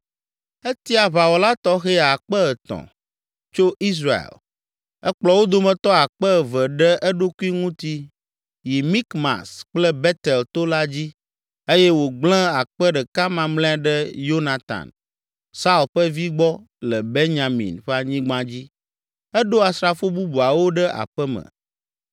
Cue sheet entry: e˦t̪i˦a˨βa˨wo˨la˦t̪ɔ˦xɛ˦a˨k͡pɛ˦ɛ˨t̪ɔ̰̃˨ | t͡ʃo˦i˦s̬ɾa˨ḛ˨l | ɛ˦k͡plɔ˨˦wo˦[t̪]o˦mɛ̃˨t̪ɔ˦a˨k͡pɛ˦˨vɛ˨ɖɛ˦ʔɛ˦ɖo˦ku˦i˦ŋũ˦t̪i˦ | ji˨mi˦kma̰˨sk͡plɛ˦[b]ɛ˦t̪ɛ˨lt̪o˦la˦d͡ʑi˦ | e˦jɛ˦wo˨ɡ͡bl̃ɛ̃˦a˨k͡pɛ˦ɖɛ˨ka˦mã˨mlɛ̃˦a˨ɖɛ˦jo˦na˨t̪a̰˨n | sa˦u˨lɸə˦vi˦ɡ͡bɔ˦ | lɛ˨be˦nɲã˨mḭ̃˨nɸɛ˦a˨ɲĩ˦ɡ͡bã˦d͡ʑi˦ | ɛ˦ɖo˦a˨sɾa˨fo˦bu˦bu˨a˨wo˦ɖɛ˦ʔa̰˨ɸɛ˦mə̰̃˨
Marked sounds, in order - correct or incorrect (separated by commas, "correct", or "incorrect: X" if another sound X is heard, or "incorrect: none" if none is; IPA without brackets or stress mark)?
incorrect: d̪, correct